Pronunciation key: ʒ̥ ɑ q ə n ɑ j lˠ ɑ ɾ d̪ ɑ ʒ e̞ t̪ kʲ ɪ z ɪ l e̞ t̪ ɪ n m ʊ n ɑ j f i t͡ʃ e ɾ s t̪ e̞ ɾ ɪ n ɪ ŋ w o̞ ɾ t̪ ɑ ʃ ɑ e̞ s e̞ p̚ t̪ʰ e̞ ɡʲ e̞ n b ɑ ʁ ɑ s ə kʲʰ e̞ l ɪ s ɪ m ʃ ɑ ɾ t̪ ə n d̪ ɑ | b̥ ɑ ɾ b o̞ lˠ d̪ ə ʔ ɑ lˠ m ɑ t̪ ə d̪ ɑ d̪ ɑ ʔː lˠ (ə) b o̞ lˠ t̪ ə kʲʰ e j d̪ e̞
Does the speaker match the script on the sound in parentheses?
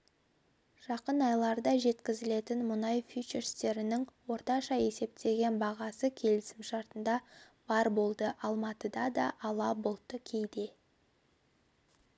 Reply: no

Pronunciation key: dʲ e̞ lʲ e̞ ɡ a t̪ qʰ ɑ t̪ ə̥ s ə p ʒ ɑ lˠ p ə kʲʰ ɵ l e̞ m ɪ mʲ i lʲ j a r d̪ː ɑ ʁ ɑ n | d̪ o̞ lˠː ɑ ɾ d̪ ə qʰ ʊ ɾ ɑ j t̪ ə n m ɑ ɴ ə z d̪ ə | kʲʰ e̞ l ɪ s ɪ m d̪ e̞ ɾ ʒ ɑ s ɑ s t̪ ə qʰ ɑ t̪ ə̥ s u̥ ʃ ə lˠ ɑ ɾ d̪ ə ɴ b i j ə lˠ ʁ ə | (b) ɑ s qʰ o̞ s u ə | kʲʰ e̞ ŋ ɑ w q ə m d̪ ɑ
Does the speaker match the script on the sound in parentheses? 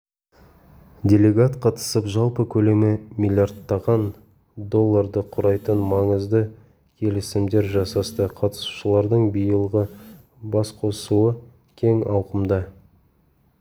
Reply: yes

